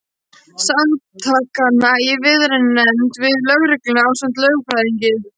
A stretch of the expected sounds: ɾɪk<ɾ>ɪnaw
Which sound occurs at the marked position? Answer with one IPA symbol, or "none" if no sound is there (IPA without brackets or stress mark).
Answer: l